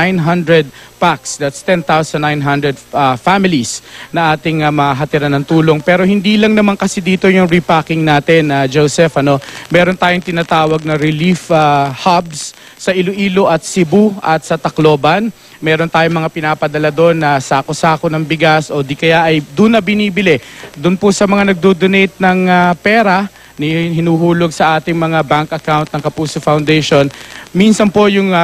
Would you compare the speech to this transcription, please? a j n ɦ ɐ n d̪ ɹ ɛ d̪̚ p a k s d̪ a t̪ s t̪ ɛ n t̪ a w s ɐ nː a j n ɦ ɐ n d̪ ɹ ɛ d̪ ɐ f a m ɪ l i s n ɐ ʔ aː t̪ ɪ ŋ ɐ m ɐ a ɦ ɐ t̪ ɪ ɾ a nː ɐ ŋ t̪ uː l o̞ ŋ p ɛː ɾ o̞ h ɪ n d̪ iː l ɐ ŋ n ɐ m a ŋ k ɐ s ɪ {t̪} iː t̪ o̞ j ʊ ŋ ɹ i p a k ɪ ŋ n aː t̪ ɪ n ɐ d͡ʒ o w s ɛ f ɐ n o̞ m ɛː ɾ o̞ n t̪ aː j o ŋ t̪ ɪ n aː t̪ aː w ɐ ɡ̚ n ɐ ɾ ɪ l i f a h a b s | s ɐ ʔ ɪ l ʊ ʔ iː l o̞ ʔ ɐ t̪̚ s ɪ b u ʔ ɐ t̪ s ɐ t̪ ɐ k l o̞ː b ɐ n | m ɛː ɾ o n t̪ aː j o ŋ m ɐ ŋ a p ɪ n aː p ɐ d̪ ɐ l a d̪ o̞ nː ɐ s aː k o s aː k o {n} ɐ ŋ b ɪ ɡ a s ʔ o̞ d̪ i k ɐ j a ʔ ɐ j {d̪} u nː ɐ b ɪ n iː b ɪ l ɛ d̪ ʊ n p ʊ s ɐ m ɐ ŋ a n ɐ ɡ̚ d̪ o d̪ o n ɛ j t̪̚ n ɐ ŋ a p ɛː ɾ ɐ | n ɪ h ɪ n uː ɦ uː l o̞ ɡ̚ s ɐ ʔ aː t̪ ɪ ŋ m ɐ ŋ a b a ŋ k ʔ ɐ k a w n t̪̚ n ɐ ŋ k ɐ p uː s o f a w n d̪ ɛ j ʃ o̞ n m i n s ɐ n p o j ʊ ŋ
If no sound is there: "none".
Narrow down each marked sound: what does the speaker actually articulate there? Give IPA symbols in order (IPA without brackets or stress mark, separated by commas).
d̪, n, d̪